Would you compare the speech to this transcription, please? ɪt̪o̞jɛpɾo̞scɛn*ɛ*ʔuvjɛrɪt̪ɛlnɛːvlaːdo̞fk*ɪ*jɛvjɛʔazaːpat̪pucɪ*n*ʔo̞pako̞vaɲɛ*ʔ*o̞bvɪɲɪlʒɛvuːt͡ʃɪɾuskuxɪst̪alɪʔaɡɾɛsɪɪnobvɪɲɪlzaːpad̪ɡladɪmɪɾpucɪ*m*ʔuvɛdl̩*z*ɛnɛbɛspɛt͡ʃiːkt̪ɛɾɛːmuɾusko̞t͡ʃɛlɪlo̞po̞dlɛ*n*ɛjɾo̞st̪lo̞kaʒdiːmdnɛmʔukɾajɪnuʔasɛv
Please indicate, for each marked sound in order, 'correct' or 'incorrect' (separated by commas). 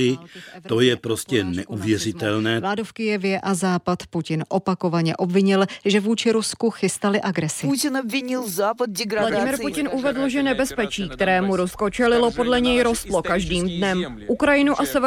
correct, correct, correct, correct, incorrect, incorrect, incorrect